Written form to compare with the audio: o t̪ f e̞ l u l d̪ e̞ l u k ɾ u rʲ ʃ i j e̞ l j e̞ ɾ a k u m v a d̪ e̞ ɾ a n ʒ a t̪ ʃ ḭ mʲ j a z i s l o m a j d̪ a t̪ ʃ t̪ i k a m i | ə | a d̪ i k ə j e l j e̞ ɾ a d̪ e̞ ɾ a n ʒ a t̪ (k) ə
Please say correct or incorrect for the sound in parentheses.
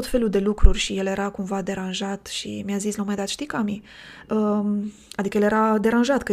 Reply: correct